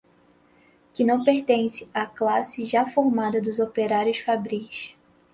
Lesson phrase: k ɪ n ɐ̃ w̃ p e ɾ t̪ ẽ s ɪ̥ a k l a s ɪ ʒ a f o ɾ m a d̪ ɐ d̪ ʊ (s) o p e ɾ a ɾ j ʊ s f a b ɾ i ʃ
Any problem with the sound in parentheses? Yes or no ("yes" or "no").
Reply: yes